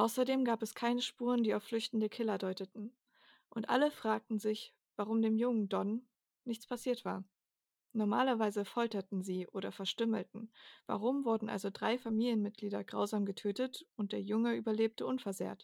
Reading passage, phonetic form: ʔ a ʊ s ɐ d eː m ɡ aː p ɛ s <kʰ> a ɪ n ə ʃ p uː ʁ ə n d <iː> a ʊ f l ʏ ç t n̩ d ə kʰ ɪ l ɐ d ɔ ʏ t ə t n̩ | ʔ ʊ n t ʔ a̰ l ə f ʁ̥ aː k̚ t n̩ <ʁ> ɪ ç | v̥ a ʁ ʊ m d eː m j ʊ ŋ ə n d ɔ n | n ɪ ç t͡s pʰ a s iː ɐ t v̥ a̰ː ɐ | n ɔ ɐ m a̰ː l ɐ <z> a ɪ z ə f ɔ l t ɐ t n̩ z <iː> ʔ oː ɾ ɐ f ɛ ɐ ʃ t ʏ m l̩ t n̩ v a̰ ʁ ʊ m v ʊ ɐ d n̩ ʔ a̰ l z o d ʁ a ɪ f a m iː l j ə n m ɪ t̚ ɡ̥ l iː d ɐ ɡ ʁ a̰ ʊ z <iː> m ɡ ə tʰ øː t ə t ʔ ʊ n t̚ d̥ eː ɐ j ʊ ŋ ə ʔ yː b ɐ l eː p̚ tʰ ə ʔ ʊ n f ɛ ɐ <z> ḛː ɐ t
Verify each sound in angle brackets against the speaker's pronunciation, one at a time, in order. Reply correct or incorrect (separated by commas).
correct, correct, incorrect, incorrect, correct, incorrect, correct